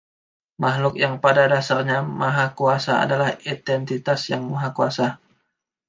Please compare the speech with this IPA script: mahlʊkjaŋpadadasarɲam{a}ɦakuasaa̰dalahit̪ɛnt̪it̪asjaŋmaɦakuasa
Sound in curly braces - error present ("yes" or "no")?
no